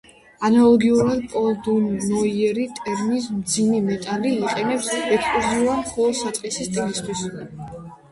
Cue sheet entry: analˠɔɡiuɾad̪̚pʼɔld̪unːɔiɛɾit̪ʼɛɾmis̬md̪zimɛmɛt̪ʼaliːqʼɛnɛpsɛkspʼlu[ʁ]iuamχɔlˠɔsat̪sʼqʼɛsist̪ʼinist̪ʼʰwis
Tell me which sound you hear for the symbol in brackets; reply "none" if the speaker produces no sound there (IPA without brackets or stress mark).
z